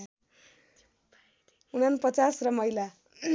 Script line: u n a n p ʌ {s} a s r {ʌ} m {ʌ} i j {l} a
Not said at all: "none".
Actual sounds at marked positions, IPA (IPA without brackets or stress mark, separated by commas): t͡s, ʌ, ʌ, l